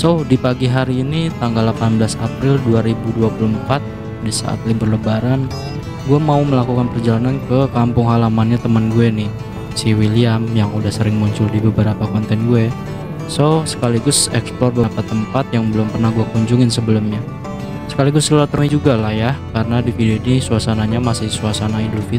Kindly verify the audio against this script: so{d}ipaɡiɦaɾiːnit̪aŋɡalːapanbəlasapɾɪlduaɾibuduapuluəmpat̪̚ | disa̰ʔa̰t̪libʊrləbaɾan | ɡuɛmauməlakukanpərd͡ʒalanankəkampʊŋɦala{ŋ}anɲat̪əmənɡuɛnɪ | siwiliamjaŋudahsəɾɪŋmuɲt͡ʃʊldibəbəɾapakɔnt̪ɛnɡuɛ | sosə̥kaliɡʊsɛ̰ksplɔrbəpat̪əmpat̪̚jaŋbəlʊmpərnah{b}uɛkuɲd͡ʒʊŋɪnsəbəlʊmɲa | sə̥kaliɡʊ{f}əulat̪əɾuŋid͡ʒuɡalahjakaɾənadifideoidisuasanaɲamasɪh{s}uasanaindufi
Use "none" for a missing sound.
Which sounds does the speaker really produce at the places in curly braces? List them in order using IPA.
d, m, ɡ, s, s

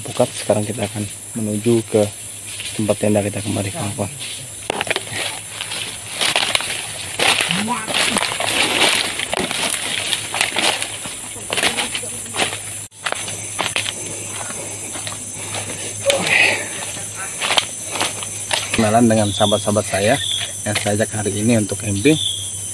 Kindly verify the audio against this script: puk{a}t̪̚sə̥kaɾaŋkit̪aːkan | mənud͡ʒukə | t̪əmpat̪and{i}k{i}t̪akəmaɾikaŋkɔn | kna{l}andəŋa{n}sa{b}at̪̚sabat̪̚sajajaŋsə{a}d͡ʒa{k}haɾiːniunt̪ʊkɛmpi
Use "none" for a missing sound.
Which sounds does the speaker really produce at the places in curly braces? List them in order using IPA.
a, a, i, l, n, b, a, k

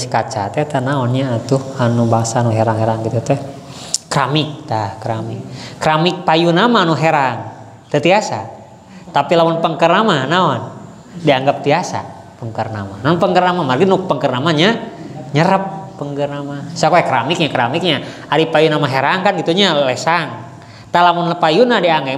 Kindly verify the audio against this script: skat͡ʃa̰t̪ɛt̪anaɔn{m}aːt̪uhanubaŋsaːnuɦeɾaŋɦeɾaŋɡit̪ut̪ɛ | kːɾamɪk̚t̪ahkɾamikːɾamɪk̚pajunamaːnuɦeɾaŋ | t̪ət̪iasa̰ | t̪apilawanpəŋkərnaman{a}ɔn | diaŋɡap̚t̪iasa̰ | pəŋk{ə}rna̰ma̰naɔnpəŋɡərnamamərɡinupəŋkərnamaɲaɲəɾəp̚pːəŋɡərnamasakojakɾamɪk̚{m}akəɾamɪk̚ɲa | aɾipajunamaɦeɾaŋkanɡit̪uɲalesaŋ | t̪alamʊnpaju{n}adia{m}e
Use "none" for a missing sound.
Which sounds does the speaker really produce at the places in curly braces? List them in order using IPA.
ɲ, a, ə, ɲ, n, ŋ

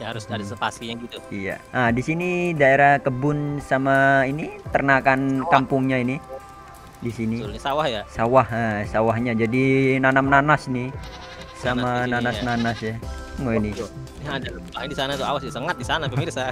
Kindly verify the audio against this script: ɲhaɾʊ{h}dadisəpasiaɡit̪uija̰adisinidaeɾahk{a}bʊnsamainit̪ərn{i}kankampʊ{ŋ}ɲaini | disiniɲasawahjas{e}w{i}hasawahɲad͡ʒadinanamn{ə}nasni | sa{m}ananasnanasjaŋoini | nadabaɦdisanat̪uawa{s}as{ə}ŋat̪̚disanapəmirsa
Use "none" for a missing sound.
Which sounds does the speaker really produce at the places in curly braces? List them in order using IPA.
s, ə, a, ŋ, a, a, a, m, s, ə

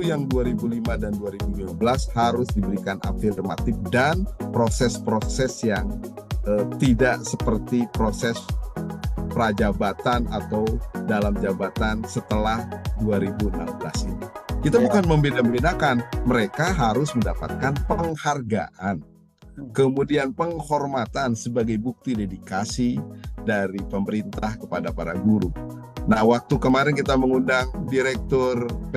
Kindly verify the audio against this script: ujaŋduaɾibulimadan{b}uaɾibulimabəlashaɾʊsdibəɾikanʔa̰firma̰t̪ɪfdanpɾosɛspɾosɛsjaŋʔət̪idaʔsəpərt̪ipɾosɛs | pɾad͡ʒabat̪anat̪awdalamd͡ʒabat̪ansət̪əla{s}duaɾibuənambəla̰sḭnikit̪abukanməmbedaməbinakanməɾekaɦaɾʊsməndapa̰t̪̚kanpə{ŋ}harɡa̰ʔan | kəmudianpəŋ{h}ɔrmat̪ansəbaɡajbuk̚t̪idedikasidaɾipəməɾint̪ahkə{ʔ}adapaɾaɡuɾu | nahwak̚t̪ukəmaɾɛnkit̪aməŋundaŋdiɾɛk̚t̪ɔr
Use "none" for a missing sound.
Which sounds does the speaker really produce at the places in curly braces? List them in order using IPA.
d, h, ŋ, h, p

